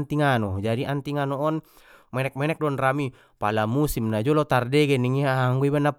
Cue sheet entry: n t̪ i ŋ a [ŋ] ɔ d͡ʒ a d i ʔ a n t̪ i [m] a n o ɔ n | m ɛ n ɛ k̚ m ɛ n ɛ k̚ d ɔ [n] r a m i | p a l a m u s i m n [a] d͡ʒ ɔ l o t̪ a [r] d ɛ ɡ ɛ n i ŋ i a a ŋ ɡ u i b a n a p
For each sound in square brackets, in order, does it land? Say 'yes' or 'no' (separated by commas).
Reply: no, no, yes, yes, yes